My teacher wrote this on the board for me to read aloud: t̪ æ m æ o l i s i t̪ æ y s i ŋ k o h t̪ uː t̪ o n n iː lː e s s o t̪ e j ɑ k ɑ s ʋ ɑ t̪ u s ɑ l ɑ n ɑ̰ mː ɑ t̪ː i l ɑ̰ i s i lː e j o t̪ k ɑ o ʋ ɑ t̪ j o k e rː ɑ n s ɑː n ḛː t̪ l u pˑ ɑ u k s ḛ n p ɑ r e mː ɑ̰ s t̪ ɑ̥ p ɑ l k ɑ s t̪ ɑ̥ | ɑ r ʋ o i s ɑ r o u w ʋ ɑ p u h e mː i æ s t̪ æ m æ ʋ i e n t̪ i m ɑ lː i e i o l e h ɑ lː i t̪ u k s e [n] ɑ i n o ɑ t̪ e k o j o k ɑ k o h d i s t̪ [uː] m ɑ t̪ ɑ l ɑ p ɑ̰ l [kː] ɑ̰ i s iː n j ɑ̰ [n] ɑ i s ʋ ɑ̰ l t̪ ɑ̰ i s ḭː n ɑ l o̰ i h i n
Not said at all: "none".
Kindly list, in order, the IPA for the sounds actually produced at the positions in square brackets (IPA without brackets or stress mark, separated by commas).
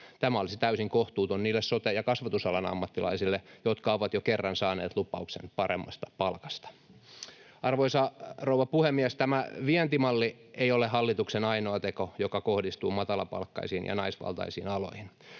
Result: n, uː, kː, n